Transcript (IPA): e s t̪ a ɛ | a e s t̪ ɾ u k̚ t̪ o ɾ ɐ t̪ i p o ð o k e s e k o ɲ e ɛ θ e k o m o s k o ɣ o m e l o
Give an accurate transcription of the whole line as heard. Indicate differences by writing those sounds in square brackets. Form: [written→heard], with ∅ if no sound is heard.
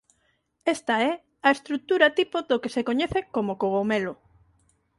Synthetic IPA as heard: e s t̪ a ɛ | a e s t̪ ɾ u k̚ t̪ [o→u] ɾ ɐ t̪ i p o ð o k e s e k o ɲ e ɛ θ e k o m o [s→∅] k o ɣ o m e l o